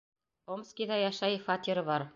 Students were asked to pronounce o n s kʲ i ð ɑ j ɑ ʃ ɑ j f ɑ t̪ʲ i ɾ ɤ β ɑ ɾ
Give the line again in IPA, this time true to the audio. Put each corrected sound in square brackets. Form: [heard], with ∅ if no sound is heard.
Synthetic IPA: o [m] s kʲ i ð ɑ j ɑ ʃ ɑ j f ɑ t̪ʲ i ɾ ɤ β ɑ ɾ